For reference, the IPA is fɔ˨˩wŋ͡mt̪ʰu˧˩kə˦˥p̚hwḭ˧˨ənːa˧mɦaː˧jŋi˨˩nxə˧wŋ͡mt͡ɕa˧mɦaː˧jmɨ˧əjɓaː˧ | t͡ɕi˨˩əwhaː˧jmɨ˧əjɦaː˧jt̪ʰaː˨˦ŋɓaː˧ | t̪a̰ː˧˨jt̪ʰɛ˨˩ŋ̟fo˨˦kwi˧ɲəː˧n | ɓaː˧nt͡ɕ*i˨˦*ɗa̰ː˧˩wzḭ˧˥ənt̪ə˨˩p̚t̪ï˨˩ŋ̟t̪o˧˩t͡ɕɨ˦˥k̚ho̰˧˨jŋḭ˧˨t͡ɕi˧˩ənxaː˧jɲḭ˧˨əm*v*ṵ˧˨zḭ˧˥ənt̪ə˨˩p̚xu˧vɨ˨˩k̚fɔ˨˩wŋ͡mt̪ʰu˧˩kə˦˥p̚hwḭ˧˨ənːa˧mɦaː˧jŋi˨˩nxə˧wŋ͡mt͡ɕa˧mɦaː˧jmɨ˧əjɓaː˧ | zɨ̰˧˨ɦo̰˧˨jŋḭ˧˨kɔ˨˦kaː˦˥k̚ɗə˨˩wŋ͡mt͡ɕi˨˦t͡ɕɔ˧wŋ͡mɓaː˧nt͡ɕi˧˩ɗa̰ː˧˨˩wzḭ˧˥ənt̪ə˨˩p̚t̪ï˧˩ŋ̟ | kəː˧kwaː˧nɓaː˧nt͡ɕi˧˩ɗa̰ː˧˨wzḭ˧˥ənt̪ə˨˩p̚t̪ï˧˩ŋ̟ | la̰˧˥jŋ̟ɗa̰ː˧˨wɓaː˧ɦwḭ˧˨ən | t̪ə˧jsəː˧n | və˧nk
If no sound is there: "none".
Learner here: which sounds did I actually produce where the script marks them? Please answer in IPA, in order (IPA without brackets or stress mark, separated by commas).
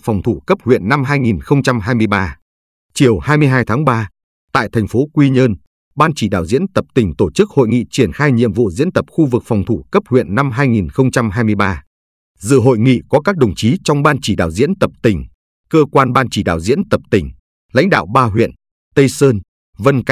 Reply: i˧˩, v